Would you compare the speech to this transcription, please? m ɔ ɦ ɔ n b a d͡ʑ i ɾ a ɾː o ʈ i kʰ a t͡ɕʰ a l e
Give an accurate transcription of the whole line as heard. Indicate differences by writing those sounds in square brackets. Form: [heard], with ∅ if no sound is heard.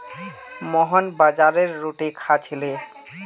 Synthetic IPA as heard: m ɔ ɦ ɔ n b a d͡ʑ [a] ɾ [e] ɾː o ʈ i kʰ a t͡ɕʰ [i] l e